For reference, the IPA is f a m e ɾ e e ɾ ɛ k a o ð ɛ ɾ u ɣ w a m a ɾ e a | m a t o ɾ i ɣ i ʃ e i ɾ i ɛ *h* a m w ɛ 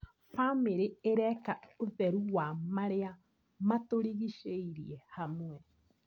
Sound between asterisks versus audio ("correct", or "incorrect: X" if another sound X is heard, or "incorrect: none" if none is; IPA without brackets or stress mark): correct